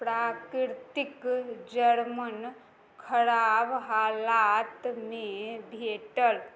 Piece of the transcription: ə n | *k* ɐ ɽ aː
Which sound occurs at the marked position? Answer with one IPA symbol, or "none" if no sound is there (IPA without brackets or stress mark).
kʰ